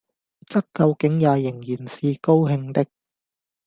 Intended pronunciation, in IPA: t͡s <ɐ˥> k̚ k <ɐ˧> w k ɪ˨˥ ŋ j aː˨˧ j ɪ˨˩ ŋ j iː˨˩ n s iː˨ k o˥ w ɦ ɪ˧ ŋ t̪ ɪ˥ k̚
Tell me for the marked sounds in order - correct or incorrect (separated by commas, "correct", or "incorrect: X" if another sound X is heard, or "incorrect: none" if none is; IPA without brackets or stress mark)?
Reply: correct, correct